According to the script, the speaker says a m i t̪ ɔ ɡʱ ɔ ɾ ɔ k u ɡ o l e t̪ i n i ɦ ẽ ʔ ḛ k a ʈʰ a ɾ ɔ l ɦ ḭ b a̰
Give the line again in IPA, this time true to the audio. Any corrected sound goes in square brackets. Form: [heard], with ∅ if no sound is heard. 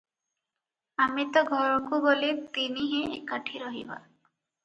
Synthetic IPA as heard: a m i t̪ ɔ ɡʱ ɔ ɾ ɔ k u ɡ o l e t̪ i n i ɦ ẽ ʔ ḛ k a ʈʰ [i] ɾ ɔ [∅] ɦ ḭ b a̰